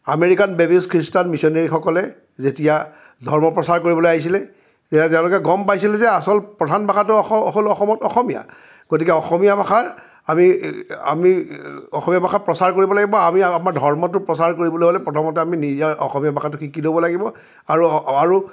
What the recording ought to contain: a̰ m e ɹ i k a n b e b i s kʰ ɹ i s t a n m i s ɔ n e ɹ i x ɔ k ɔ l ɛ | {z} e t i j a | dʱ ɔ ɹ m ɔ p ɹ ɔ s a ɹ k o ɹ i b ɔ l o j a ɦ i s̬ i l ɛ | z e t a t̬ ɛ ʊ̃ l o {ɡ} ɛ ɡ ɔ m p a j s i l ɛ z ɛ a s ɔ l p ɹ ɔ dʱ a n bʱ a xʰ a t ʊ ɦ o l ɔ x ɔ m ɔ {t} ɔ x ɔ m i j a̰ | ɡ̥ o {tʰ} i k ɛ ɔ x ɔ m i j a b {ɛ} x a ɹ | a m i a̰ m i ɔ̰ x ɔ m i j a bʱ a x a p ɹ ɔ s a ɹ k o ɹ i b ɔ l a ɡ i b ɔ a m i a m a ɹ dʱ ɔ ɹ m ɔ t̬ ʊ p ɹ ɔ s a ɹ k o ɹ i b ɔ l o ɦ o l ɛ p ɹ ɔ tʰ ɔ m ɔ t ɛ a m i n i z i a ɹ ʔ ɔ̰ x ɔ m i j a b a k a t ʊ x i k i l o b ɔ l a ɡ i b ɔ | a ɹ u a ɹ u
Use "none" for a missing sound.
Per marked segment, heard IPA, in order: z, k, t, t, a

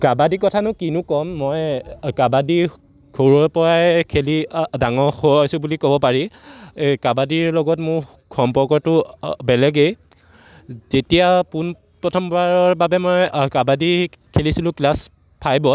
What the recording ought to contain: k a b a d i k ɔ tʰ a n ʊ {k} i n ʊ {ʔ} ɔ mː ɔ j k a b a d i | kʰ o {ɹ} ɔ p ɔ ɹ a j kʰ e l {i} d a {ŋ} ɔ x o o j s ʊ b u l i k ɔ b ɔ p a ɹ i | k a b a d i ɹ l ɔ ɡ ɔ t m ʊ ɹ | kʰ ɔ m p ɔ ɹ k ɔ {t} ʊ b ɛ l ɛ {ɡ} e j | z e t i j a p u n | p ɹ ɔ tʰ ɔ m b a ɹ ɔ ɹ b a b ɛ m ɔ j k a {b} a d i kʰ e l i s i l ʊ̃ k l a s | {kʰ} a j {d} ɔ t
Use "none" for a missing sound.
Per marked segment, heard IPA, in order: k, k, ɹ, i, ŋ, t, ɡ, b, pʰ, b

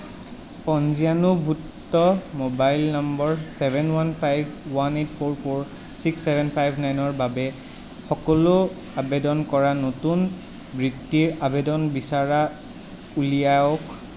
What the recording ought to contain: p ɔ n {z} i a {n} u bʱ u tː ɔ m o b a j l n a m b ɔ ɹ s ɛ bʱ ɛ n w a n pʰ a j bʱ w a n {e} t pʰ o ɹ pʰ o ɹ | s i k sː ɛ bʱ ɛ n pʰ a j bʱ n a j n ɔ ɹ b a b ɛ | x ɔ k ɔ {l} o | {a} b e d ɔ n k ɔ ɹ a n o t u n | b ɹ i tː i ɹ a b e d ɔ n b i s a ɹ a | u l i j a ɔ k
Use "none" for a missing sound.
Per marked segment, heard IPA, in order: z, n, e, l, a

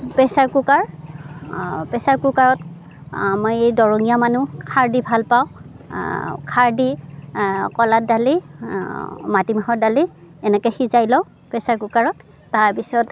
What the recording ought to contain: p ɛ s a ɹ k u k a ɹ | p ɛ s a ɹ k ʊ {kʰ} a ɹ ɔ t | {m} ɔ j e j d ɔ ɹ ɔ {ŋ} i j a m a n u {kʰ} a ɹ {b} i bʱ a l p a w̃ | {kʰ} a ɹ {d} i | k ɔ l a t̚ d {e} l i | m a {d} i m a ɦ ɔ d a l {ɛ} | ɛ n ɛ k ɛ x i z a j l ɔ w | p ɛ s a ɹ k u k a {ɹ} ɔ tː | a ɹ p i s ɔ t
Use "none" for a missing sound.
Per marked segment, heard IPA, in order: k, m, ŋ, kʰ, d, kʰ, d, a, t, i, ɹ

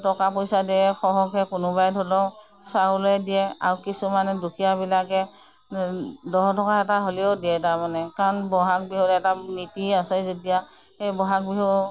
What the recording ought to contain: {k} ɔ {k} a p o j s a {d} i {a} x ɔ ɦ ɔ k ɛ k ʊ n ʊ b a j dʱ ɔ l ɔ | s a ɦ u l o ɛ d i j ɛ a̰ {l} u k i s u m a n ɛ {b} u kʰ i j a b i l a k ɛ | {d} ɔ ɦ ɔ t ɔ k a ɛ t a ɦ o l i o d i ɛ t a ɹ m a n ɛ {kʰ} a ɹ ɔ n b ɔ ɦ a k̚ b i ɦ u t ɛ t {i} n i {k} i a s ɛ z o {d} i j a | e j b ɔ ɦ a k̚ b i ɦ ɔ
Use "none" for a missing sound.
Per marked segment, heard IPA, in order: t, k, d, ɛ, ɹ, d, d, k, a, t, d

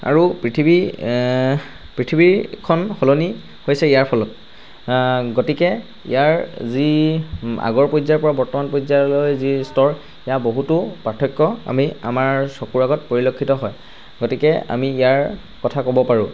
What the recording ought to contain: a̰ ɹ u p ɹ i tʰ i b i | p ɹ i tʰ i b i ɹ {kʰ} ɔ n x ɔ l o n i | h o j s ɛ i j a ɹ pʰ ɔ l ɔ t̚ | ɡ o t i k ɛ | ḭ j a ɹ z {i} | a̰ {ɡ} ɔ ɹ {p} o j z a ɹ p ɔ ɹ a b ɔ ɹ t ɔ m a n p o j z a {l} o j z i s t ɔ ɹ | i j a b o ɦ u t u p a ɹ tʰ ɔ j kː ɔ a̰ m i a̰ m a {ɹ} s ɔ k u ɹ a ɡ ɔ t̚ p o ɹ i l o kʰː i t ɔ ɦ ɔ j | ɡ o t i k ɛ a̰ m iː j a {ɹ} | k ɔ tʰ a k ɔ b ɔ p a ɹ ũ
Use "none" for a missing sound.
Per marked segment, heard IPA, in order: kʰ, i, ɡ, p, l, ɹ, ɹ

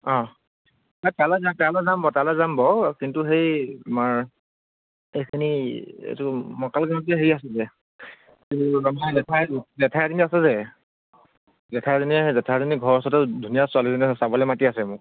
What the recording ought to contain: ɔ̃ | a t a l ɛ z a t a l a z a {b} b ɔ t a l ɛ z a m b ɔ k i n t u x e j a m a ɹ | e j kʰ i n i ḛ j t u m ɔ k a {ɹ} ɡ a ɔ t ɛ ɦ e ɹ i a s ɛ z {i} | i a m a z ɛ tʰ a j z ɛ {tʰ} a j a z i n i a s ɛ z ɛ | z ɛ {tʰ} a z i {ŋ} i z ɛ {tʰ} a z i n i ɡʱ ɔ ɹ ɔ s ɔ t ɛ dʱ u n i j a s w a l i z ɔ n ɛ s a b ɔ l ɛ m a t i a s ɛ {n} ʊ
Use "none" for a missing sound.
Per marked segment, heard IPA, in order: m, l, ɛ, tʰ, tʰ, n, tʰ, m

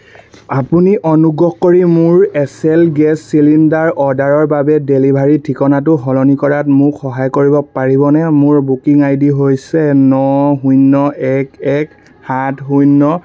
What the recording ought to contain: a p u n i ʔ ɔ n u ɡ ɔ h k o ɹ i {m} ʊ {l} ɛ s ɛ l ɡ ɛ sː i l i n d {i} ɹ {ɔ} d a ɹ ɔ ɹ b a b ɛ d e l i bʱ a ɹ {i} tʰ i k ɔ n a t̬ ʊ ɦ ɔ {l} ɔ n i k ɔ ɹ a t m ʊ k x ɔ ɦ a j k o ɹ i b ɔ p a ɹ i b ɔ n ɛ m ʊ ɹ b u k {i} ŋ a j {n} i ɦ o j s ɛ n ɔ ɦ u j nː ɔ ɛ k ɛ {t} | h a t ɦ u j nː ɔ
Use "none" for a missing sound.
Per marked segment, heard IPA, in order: m, ɹ, a, ɔ, i, l, i, d, k

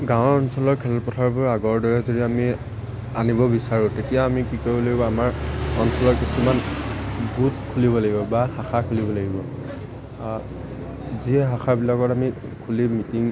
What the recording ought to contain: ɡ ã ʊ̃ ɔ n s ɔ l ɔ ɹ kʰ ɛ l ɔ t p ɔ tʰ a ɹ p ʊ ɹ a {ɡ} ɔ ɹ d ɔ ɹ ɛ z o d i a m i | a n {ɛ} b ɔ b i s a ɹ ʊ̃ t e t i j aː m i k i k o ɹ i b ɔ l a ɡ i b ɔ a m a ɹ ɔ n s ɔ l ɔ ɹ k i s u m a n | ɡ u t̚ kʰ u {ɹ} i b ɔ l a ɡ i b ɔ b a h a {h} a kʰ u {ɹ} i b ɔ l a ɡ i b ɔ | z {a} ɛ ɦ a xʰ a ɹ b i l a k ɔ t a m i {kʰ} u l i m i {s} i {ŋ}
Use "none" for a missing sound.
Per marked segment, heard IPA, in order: ɡ, i, l, x, l, i, kʰ, t, ŋ

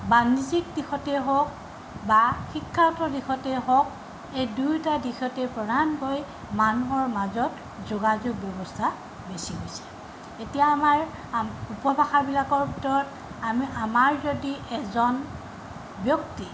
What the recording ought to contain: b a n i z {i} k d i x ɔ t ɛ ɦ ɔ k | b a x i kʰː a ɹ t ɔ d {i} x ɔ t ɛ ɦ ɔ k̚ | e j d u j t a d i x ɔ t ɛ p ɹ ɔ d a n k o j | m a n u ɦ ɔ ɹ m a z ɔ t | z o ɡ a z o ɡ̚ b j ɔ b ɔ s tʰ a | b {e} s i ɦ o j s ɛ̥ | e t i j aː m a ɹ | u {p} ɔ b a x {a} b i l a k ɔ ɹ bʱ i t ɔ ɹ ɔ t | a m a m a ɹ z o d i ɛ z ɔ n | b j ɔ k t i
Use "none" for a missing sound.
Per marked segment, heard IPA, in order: i, i, e, p, a

